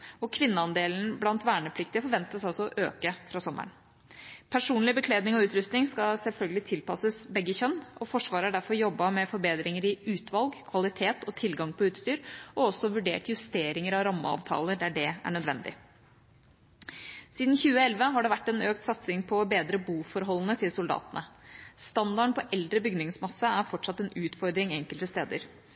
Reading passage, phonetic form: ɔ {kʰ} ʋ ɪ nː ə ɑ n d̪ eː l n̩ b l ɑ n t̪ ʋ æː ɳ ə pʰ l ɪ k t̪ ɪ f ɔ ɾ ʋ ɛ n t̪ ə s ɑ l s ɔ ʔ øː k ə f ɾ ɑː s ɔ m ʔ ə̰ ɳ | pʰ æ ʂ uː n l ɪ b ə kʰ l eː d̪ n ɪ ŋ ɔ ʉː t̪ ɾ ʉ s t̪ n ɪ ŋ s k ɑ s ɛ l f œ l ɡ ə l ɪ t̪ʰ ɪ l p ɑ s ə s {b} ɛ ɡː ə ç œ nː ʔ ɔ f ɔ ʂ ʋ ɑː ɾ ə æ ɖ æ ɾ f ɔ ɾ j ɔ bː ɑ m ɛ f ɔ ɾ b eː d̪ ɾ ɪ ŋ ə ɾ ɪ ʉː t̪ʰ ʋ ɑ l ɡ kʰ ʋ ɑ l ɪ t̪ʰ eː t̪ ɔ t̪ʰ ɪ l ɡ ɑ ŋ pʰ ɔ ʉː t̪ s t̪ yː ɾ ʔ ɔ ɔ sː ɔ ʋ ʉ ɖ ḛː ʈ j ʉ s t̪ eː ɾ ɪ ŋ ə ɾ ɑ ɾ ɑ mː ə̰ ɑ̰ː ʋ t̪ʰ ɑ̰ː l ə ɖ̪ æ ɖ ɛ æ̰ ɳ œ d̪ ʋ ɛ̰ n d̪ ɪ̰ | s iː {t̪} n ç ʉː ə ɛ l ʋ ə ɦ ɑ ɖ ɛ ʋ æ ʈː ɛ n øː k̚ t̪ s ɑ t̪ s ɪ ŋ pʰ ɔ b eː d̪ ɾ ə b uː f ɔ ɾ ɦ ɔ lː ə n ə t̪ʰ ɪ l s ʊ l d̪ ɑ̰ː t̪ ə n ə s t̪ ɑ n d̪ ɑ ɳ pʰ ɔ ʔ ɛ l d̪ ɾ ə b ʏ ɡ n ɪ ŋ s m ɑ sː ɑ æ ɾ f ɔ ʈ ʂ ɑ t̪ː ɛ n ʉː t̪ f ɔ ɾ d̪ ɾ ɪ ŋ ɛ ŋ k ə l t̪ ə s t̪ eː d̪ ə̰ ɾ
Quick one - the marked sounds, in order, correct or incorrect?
correct, correct, incorrect

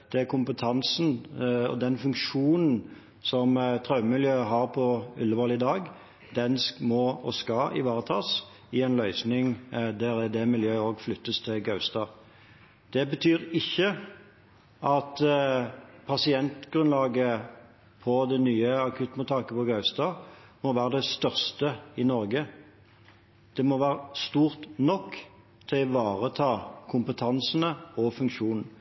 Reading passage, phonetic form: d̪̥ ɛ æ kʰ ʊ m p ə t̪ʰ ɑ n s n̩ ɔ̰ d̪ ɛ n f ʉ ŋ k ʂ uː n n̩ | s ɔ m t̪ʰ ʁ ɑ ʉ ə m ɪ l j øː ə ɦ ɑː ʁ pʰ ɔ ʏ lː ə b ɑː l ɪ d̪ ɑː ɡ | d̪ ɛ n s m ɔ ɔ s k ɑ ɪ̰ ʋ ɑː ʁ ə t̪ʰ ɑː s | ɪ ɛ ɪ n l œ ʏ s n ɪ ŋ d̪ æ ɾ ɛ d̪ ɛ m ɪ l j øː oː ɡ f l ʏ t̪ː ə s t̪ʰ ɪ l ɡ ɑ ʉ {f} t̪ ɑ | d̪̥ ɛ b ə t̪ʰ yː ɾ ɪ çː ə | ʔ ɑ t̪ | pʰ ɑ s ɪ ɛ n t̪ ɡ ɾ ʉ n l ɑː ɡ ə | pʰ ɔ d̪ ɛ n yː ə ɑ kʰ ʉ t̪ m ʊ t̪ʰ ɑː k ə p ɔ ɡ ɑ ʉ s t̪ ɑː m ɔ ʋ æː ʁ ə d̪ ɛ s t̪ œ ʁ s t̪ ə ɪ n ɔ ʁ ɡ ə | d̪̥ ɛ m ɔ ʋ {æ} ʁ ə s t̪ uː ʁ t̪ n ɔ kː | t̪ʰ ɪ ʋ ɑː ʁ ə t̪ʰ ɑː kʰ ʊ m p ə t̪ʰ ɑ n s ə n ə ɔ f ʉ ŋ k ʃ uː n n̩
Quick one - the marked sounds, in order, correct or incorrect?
incorrect, incorrect

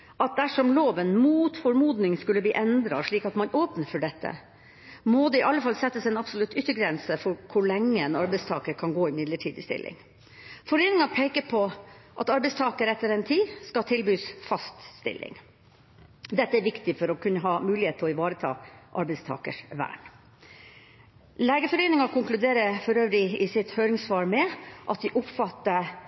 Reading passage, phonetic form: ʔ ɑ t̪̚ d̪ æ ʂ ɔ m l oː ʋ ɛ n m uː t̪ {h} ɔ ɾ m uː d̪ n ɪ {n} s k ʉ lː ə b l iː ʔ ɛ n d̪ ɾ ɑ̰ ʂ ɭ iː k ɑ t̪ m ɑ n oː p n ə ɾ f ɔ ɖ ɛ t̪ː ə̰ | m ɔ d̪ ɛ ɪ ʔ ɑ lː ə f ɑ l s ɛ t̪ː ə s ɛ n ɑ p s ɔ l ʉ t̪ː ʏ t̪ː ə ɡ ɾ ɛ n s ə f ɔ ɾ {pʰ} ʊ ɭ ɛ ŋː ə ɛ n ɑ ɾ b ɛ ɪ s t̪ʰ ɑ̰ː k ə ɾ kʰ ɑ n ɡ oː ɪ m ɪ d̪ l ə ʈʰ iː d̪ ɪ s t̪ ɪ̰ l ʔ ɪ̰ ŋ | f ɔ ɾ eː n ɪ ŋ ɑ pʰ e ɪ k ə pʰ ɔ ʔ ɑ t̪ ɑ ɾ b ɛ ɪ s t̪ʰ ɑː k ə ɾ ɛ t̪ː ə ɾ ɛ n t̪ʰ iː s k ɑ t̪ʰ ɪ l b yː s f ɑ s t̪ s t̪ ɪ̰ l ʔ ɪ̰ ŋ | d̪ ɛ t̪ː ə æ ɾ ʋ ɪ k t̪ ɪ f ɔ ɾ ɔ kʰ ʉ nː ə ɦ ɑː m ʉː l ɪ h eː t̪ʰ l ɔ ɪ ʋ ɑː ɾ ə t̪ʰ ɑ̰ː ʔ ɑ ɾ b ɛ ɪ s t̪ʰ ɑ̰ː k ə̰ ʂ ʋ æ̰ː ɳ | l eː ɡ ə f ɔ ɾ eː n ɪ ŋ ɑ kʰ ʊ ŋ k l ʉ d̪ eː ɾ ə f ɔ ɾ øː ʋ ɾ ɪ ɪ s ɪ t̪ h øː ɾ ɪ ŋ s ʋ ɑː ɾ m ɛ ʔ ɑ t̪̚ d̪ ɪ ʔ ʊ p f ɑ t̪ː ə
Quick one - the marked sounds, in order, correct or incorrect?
incorrect, incorrect, incorrect

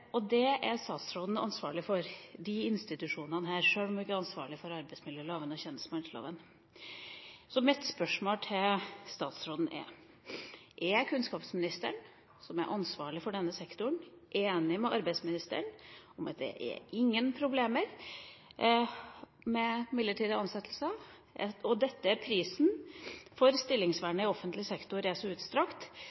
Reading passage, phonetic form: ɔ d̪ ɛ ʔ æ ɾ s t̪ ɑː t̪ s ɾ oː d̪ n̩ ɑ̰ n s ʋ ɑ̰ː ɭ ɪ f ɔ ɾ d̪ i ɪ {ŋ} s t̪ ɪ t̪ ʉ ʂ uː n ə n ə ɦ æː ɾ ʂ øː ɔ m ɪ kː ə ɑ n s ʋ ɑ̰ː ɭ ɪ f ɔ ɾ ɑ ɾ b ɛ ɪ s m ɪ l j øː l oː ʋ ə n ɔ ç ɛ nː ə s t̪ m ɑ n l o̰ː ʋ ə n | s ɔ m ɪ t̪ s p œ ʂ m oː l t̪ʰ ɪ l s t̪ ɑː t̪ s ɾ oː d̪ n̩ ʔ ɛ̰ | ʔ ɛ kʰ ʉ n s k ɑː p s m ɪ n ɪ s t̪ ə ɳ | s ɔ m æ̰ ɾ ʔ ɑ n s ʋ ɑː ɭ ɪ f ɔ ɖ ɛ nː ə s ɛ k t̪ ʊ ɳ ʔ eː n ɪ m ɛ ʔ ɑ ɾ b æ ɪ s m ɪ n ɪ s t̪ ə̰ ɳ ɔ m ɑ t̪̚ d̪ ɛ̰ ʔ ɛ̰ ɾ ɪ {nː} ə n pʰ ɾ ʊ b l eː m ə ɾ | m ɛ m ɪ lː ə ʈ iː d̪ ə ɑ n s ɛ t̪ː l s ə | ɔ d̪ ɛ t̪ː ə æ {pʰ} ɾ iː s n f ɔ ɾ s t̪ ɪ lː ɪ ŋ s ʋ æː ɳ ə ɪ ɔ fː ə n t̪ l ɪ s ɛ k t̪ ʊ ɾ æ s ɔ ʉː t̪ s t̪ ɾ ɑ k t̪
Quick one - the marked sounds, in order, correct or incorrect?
incorrect, incorrect, correct

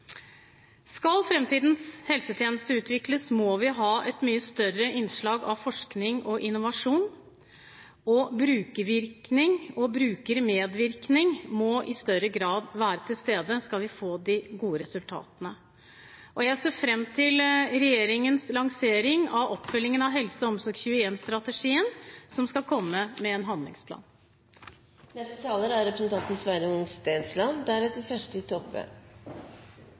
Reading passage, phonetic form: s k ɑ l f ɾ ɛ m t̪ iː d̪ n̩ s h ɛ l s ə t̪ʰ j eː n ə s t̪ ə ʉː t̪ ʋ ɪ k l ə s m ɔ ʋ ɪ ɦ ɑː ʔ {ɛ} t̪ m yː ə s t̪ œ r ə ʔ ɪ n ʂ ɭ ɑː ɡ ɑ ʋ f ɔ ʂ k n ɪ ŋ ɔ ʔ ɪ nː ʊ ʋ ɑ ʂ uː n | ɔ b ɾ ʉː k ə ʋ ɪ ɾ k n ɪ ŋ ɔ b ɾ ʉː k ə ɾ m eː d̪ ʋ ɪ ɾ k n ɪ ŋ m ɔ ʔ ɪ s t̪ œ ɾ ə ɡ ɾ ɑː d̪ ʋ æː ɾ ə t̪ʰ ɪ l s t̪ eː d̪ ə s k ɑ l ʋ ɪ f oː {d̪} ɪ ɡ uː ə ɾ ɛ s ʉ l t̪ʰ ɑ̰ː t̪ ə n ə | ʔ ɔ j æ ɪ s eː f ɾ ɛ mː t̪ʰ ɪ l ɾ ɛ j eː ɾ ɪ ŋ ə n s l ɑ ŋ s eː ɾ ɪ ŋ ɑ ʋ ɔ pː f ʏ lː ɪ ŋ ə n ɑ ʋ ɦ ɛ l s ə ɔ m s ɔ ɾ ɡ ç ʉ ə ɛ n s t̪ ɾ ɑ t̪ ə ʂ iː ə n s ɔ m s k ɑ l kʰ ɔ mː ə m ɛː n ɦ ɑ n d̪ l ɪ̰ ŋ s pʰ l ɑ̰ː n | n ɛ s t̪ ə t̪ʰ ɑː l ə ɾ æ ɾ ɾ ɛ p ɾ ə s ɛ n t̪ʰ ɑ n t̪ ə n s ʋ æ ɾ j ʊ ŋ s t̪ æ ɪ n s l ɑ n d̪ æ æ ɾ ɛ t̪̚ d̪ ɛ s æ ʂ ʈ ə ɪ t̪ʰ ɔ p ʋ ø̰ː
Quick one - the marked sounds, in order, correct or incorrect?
correct, correct

